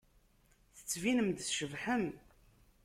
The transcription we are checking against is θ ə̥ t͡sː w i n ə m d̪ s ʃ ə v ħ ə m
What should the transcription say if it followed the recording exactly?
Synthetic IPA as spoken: θ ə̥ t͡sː v i n ə m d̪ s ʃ ə v ħ ə m